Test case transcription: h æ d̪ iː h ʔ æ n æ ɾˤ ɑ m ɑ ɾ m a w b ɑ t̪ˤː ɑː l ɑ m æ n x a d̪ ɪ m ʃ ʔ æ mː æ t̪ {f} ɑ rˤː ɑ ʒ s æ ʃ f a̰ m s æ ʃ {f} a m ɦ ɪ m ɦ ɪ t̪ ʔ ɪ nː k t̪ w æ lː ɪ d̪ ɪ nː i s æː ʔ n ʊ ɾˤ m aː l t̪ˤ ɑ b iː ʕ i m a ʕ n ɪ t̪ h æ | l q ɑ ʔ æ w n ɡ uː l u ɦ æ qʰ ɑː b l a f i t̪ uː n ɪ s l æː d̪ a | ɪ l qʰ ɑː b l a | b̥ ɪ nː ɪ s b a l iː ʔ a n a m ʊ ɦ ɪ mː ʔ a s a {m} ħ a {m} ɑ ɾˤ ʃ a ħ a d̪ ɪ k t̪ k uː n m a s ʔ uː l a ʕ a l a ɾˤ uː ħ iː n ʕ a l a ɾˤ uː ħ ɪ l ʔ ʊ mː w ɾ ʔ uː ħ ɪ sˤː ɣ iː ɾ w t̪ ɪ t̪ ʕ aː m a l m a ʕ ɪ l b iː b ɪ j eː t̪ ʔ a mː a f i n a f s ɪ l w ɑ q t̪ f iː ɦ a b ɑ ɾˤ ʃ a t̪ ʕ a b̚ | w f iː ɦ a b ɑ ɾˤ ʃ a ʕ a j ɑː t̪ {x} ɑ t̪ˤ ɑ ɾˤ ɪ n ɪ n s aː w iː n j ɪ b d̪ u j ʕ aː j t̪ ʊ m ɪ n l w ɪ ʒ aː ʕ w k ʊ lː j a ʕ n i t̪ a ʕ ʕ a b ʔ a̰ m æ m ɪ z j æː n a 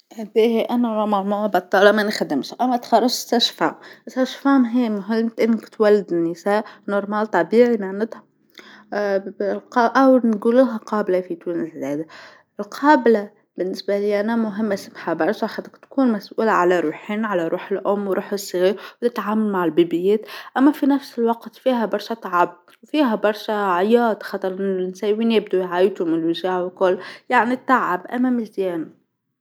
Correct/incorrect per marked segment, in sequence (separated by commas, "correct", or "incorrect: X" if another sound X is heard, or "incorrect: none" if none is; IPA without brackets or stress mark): incorrect: x, correct, correct, incorrect: b, correct